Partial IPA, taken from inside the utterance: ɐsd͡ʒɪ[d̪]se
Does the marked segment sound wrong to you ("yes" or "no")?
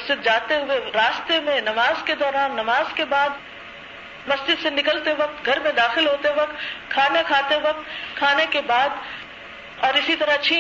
no